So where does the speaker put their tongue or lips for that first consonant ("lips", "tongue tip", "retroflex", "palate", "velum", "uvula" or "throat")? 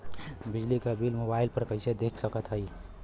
lips